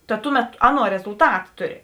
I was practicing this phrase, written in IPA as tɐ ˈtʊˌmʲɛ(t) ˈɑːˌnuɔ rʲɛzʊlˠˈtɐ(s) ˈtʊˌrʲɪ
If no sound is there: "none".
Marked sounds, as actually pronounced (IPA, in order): t, t

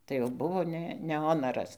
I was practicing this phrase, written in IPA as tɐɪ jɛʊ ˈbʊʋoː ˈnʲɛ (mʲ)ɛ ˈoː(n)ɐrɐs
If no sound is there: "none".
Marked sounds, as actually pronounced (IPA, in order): nʲ, n

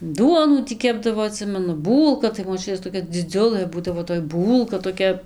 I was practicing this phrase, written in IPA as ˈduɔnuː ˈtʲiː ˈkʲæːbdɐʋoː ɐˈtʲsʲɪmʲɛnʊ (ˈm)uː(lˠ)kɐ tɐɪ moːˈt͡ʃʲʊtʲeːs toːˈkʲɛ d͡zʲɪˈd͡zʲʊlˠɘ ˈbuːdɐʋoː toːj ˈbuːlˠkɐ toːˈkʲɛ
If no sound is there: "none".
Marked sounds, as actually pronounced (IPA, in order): b, lˠ

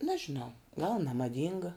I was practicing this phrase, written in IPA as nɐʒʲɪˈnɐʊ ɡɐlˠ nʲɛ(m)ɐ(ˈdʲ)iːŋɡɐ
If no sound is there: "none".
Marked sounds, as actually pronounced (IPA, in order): m, dʲ

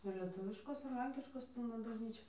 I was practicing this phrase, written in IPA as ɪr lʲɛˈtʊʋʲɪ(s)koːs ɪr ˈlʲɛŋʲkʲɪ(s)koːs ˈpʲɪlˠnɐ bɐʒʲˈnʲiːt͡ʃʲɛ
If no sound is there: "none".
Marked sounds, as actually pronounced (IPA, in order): ʃ, ʃ

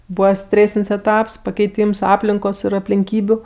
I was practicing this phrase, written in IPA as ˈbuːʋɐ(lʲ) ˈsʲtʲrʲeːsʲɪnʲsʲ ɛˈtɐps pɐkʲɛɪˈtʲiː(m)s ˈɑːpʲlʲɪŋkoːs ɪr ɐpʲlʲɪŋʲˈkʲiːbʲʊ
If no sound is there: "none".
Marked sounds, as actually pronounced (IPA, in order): none, m

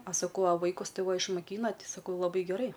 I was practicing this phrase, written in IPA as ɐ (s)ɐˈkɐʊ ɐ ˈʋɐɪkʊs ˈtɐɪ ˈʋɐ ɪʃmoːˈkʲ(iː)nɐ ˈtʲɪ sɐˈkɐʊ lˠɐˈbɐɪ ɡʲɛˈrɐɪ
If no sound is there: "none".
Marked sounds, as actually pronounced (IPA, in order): s, iː

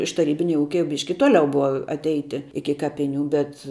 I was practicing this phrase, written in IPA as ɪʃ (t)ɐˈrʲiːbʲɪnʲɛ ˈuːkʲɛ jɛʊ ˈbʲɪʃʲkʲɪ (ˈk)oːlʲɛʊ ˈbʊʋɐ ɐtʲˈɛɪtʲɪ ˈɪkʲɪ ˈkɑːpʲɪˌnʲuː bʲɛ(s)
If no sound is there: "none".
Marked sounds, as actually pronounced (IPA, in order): t, t, t

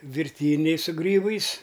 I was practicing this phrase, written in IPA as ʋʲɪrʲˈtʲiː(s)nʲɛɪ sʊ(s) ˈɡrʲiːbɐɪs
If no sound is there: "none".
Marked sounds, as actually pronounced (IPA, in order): none, none

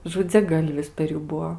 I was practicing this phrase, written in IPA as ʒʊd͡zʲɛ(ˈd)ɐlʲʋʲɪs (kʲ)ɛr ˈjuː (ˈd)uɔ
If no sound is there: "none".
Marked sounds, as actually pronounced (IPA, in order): ɡ, pʲ, b

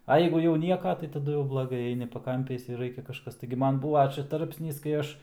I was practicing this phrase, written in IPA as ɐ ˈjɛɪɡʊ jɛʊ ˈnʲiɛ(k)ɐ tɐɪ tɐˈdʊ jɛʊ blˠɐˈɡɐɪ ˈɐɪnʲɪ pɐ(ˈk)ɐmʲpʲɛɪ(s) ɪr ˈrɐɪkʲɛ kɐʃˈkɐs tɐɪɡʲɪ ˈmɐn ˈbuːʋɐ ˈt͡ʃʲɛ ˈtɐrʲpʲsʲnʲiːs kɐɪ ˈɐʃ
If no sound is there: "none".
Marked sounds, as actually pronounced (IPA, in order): k, k, s

